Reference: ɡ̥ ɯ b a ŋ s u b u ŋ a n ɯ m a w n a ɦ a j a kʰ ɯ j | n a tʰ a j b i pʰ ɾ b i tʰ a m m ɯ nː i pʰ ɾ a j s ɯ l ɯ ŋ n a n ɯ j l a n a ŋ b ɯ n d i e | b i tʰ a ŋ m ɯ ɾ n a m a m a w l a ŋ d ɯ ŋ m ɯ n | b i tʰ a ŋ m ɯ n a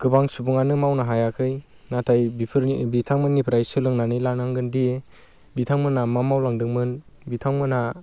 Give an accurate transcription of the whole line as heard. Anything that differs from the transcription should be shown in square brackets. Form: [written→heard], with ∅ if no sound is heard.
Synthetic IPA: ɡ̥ ɯ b a ŋ s u b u ŋ a n ɯ m a w n a ɦ a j a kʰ ɯ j | n a tʰ a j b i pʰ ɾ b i tʰ a [m→ŋ] m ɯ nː i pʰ ɾ a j s ɯ l ɯ ŋ n a n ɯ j l a n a ŋ [b→ɡ] ɯ n d i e | b i tʰ a ŋ m ɯ [ɾ→∅] n a m a m a w l a ŋ d ɯ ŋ m ɯ n | b i tʰ a ŋ m ɯ n a